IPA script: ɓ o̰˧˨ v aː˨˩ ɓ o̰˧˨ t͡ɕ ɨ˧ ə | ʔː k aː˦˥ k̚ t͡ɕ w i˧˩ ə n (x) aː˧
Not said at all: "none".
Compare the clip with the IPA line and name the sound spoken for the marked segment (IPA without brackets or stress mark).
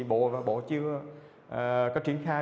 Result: x